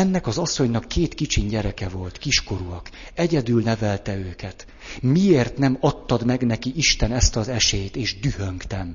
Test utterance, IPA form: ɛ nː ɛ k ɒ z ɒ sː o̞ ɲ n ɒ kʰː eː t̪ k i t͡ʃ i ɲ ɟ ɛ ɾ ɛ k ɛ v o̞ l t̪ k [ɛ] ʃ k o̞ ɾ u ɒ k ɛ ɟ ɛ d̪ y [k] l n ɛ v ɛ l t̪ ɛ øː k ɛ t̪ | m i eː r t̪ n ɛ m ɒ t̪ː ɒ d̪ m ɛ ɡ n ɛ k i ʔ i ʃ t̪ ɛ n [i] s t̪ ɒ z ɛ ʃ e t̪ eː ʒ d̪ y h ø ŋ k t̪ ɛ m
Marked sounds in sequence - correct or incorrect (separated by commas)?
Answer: incorrect, incorrect, incorrect